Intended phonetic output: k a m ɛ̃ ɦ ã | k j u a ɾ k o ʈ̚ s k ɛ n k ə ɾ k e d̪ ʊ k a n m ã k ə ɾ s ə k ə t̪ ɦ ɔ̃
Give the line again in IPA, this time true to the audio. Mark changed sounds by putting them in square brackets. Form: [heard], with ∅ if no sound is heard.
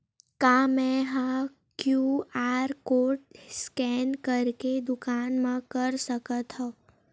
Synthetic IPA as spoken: k a m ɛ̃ ɦ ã | k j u a ɾ k o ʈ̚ s k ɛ n k ə ɾ k e d̪ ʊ k a n m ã k ə ɾ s ə k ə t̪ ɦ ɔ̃